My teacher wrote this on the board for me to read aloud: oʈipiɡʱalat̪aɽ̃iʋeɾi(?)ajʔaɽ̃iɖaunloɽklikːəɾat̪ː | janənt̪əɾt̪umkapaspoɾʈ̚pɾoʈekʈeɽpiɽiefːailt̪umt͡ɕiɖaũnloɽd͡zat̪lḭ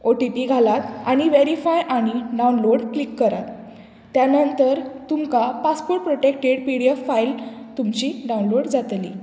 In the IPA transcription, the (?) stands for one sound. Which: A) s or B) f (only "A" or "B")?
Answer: B